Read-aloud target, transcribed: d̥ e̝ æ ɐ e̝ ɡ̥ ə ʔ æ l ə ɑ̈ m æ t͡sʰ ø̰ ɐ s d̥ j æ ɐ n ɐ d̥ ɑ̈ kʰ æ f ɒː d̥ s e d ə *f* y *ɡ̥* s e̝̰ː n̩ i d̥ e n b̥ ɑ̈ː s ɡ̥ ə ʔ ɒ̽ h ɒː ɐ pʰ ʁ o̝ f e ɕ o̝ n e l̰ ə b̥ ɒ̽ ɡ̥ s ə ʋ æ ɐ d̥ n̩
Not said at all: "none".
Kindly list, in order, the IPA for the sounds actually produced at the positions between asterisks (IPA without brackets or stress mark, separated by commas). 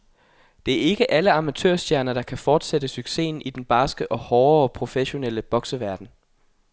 s, ɡ̥